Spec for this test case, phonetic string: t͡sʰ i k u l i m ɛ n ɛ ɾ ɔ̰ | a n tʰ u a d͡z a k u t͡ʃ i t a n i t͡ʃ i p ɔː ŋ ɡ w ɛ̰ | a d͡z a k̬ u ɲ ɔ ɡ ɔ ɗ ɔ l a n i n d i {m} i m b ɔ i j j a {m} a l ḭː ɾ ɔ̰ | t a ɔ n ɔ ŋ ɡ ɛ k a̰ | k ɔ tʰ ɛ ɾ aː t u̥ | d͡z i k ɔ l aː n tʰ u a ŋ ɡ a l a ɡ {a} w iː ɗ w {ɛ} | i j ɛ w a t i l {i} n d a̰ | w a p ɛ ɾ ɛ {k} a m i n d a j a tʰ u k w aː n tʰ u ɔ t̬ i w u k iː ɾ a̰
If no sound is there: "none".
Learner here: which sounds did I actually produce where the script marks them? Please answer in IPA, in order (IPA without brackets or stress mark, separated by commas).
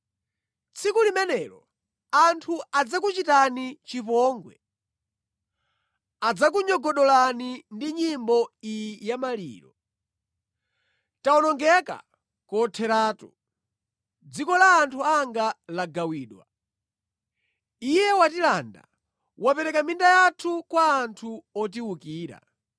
ɲ, m, a, a, a, k